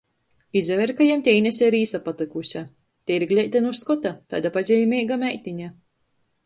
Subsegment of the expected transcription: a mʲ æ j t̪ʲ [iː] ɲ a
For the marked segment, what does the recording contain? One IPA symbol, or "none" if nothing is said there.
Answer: i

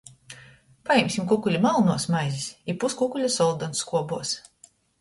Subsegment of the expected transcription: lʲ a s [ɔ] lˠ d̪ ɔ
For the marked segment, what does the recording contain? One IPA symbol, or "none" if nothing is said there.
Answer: ɔ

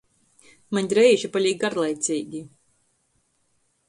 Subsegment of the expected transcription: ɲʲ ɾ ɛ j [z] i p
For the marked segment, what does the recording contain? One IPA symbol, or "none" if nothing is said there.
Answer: ʒ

